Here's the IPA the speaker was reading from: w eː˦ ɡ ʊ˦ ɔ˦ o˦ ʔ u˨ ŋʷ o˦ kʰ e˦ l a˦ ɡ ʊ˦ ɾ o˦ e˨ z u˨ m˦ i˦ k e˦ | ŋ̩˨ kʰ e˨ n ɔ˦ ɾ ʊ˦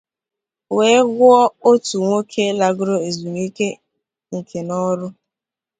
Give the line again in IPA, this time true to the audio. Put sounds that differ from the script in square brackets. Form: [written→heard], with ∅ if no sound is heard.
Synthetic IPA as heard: w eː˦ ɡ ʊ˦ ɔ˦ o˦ [ʔ→t] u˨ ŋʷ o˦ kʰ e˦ l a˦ ɡ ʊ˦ ɾ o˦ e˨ z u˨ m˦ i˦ k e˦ | ŋ̩˨ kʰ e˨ n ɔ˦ ɾ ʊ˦